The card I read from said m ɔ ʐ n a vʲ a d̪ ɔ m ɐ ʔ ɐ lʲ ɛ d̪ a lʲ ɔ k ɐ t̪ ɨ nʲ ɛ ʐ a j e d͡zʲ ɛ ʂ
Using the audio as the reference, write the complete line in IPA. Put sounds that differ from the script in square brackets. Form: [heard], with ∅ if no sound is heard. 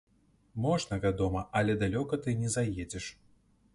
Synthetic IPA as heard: m ɔ ʐ n [ɐ] vʲ a d̪ ɔ m ɐ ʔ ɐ lʲ ɛ d̪ a lʲ ɔ k ɐ t̪ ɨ nʲ ɛ [z] a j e d͡zʲ ɛ ʂ